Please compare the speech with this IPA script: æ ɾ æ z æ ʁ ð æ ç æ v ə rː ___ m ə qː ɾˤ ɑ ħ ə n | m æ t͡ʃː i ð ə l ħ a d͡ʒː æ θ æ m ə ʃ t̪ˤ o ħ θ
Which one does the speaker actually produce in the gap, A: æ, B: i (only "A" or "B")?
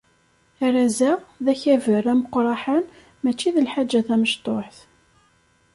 A